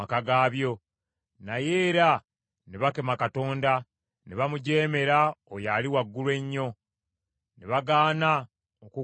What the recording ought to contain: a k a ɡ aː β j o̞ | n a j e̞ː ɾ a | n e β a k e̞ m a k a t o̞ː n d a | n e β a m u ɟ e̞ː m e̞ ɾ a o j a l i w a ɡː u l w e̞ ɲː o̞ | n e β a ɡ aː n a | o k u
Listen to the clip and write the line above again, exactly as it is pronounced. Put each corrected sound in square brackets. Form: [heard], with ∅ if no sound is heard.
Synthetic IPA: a k a ɡ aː β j o̞ | n a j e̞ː ɾ a | n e β a k e̞ m a k a t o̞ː n d a | n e β a m u ɟ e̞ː m e̞ ɾ a o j a l i w a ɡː u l w e̞ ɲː o̞ | n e β a ɡ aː n a | o k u